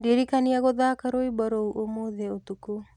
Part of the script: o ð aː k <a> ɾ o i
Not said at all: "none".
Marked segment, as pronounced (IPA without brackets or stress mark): a